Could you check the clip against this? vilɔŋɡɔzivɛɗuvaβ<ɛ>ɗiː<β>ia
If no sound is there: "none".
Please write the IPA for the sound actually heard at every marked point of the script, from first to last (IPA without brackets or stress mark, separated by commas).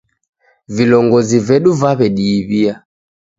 ɛ, β